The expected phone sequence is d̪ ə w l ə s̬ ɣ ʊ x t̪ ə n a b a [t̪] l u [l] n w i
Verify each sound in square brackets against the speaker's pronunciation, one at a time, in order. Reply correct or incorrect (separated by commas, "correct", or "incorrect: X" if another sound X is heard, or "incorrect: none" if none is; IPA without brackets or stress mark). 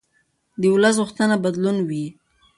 incorrect: d̪, incorrect: none